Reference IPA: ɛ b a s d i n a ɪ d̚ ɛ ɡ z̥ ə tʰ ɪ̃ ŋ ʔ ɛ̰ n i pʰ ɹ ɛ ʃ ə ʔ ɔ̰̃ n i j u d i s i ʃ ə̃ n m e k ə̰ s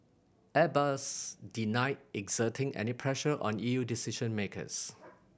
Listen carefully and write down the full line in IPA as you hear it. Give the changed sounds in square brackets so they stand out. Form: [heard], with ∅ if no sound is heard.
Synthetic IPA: ɛ b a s d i n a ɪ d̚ ɛ ɡ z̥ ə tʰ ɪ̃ ŋ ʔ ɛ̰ n i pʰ ɹ ɛ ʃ ə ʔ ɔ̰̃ n i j u d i s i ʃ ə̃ n m e k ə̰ s